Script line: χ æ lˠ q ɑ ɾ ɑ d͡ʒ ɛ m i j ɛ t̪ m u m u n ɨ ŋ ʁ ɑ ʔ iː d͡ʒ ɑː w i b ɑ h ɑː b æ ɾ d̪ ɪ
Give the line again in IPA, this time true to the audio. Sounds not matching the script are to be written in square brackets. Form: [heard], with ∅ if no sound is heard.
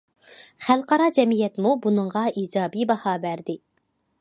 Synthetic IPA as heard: χ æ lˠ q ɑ ɾ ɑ d͡ʒ ɛ m i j ɛ t̪ m u [b] u n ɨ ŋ ʁ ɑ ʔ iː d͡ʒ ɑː [b] i b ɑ h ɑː b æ ɾ d̪ ɪ